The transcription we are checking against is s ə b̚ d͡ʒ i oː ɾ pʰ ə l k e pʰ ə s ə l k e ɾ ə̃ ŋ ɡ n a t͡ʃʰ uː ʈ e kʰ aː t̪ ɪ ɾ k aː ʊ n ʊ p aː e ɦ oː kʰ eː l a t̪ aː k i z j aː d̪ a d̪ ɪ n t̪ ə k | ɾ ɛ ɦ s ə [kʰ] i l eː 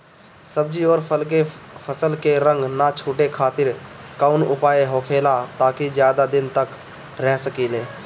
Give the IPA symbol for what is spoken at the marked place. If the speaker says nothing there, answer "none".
k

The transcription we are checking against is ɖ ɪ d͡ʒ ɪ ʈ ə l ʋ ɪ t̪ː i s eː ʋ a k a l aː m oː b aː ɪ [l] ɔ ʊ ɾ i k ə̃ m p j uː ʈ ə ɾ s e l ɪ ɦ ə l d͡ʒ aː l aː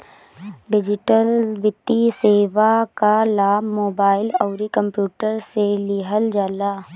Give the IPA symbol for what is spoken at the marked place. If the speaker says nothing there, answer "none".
l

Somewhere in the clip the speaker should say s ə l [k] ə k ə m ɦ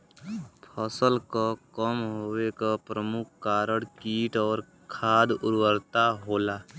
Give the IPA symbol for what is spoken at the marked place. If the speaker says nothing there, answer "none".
k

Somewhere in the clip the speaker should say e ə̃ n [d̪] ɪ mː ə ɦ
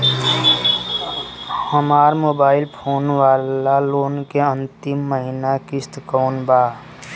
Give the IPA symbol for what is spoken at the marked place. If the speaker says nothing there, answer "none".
t̪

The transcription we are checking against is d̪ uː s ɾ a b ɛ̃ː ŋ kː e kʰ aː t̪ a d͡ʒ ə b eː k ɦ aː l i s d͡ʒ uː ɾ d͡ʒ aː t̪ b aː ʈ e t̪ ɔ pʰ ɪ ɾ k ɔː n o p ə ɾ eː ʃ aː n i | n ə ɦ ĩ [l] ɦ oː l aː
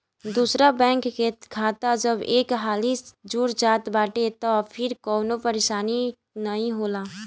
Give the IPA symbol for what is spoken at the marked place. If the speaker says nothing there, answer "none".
none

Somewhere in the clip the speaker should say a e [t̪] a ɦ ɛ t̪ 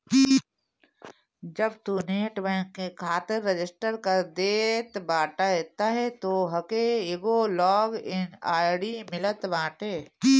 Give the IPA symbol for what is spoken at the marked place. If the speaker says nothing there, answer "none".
t̪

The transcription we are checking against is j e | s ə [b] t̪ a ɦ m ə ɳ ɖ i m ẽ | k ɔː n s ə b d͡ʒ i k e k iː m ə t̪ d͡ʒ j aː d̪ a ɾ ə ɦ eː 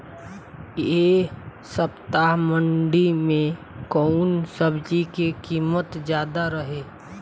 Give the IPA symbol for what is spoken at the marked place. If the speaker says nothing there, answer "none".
p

